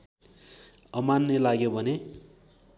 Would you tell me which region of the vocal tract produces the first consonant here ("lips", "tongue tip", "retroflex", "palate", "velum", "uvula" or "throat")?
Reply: lips